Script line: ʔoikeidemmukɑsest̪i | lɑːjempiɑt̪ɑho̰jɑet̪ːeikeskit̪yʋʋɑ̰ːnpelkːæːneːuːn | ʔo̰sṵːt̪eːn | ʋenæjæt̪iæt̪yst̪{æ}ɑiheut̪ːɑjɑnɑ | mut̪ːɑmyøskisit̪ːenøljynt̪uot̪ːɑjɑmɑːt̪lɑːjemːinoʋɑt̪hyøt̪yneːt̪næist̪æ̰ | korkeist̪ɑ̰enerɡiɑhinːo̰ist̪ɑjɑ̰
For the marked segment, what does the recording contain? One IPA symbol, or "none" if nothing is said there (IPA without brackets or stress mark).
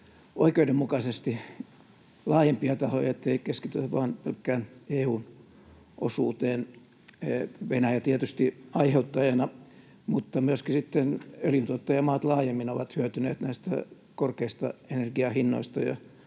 i